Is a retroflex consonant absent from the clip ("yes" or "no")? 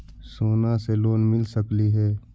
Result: yes